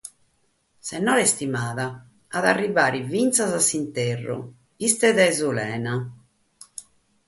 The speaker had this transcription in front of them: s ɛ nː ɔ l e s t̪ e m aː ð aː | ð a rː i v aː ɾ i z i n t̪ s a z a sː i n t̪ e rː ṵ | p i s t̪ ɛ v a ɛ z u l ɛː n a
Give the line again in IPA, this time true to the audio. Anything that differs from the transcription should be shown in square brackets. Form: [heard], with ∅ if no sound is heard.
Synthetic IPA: s ɛ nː ɔ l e s t̪ [i] m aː ð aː | ð a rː i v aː ɾ i [v] i n t̪ s a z a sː i n t̪ e rː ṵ | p i s t̪ ɛ [ð] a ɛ z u l ɛː n a